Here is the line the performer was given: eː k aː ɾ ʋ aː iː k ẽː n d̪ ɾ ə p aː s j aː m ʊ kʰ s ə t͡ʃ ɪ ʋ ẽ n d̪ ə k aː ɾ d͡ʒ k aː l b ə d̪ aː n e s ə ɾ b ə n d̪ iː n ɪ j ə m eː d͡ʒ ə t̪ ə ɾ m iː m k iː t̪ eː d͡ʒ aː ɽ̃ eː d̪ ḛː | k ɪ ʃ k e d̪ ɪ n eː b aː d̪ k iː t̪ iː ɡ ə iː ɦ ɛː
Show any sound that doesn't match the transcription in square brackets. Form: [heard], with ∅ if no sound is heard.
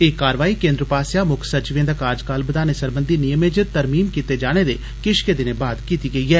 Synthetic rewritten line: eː k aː ɾ ʋ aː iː k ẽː n d̪ ɾ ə p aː s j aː m ʊ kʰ s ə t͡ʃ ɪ ʋ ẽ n d̪ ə k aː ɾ d͡ʒ k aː l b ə d̪ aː n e s ə ɾ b ə n d̪ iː n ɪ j ə m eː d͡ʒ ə t̪ ə ɾ m iː m k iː t̪ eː d͡ʒ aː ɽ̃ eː d̪ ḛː | k ɪ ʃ k e d̪ ɪ n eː b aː d̪ k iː t̪ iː ɡ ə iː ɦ ɛː